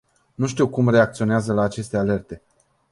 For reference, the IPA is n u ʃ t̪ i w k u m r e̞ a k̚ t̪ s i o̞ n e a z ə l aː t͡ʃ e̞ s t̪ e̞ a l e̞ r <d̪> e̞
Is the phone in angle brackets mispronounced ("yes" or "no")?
yes